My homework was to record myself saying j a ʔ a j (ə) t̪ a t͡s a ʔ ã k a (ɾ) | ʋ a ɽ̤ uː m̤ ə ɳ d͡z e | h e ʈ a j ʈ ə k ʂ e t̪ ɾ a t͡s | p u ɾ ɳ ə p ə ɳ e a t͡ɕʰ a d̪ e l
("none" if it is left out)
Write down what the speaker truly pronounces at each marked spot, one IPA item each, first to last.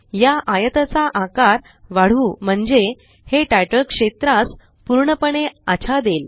ə, ɾ

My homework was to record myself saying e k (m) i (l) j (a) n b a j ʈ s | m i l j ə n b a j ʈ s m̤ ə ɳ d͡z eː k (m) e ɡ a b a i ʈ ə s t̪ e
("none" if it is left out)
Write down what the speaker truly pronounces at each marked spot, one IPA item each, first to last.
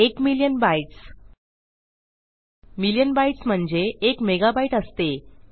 m, l, ə, m

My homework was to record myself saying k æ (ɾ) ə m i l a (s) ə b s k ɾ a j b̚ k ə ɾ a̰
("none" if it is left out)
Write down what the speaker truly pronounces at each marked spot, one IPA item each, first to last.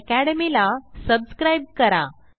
ɽ, s

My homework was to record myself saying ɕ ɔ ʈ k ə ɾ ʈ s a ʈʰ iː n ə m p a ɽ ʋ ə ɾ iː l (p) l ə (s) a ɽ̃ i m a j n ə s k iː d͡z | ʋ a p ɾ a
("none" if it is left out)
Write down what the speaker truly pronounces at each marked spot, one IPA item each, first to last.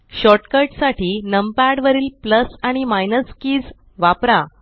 p, s

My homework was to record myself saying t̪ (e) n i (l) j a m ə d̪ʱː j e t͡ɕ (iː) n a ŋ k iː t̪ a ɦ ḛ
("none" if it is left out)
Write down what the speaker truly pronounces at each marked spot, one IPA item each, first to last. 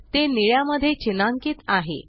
e, ɭ, i

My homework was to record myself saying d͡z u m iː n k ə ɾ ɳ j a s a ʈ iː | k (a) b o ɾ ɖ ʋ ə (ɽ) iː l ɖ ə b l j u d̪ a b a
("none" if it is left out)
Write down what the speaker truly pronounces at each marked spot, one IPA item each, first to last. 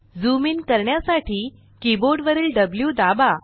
i, ɾ

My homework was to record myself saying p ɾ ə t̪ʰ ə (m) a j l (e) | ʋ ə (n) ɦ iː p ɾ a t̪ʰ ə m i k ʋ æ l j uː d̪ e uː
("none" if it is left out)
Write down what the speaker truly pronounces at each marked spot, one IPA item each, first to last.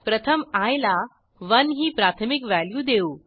m, a, n

